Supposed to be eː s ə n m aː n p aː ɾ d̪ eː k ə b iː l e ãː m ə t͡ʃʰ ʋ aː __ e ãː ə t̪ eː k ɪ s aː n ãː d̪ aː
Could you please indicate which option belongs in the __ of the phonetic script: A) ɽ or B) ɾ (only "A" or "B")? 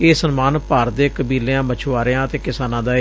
B